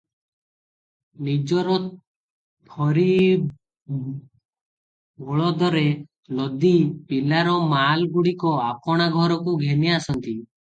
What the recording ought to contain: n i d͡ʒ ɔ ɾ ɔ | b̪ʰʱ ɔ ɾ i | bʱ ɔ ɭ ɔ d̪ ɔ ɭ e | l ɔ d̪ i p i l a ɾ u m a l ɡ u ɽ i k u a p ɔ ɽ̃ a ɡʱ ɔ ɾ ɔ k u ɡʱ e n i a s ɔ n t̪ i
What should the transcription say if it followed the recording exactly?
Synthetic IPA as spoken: n i d͡ʒ ɔ ɾ ɔ | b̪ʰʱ ɔ ɾ i | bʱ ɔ ɭ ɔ d̪ ɔ ɾ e | l ɔ d̪ i p i l a ɾ ɔ m a l ɡ u ɽ i k ɔ a p ɔ ɽ̃ a ɡʱ ɔ ɾ ɔ k u ɡʱ e n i a s ɔ n t̪ i